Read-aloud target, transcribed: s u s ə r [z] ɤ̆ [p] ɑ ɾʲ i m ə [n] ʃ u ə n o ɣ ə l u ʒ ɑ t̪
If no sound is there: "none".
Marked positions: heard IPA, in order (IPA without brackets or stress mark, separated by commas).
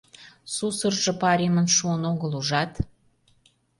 ʒ, p, n